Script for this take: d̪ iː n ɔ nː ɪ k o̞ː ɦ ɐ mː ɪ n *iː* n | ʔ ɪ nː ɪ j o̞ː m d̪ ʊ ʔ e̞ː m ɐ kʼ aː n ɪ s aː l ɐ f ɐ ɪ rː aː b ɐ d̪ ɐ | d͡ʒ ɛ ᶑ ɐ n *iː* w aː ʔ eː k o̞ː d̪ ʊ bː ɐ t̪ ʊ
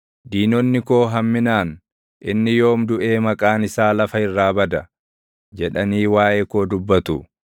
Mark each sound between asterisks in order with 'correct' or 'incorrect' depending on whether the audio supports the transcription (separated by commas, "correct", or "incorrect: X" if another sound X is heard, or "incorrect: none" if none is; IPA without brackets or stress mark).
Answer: incorrect: aː, correct